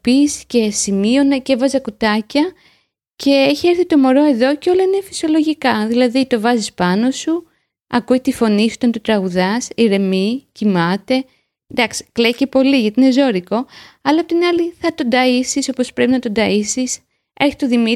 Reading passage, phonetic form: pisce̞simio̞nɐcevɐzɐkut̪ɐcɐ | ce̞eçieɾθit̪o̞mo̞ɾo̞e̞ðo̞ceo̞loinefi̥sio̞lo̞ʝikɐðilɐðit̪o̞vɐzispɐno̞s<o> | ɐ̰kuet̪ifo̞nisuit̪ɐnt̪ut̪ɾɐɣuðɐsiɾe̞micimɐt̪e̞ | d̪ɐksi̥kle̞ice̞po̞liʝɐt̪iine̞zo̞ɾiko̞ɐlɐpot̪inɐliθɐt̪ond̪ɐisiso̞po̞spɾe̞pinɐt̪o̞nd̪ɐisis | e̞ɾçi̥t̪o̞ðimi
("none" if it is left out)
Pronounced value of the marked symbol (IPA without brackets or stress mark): u